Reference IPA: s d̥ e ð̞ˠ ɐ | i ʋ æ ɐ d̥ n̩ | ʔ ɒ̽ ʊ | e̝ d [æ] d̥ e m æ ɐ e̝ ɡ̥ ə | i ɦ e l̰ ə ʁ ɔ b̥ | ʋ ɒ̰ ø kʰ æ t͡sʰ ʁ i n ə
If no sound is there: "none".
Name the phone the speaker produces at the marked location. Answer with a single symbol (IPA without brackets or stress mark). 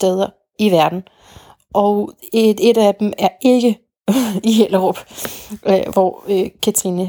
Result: æ